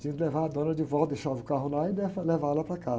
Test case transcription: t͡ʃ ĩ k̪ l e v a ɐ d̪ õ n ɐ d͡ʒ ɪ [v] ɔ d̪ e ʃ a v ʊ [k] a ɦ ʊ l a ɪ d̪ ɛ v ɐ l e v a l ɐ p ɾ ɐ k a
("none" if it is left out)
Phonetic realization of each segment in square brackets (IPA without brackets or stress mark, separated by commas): v, k